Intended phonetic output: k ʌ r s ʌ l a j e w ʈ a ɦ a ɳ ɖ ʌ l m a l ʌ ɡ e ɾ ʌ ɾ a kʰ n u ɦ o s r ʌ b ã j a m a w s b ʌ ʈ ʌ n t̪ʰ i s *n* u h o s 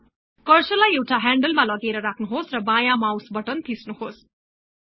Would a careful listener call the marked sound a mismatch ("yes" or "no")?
no